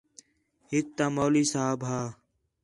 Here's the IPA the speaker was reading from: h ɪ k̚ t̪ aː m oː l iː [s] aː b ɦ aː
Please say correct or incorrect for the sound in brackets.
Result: correct